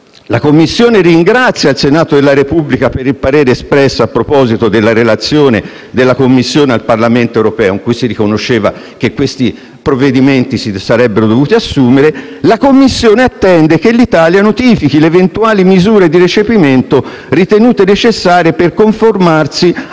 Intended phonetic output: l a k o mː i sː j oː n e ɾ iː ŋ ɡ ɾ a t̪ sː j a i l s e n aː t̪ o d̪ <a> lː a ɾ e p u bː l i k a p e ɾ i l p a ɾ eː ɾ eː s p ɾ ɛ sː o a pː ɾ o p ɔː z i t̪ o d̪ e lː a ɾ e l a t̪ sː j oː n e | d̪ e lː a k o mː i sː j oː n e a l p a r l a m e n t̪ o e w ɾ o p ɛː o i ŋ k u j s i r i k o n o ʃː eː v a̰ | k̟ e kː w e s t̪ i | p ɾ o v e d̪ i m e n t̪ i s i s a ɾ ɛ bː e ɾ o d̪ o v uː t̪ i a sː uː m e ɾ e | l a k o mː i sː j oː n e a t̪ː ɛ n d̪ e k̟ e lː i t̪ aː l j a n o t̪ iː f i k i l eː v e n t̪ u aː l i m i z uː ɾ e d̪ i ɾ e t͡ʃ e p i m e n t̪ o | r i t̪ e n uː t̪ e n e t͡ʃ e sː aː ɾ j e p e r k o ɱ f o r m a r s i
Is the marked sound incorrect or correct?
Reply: incorrect